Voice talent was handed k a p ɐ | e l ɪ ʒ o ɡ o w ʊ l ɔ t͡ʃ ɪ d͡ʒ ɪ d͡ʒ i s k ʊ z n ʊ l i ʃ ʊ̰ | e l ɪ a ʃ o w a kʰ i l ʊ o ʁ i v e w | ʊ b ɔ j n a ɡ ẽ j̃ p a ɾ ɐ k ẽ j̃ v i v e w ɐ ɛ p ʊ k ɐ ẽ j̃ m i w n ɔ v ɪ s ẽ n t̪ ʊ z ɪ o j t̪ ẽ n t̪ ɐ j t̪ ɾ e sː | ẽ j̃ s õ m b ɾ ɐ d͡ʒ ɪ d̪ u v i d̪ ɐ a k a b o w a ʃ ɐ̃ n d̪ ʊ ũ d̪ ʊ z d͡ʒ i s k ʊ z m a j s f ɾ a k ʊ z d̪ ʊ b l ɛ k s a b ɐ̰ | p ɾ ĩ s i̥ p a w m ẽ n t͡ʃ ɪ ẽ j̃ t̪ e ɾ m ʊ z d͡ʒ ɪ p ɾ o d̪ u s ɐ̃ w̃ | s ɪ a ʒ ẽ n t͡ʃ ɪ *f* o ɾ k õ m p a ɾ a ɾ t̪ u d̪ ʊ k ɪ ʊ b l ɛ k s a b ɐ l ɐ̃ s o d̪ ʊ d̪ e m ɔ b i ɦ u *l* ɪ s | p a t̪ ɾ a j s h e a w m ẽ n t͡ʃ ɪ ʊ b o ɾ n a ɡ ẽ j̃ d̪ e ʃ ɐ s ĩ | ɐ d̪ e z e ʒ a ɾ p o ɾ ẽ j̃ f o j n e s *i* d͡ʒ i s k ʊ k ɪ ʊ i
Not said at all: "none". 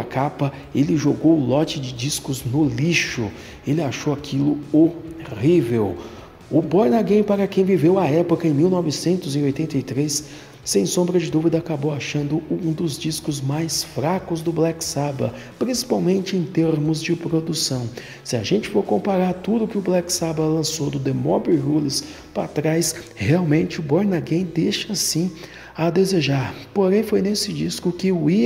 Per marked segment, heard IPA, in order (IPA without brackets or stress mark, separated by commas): f, l, ɪ